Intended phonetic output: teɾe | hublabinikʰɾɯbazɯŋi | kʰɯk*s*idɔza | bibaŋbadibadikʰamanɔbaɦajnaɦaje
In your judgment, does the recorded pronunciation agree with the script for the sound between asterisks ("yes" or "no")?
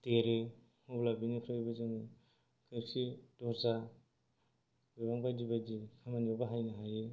yes